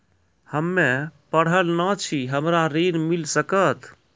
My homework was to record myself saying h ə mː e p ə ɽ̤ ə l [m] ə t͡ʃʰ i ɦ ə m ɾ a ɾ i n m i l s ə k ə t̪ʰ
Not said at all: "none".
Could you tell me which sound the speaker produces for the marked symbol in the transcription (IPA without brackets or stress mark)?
n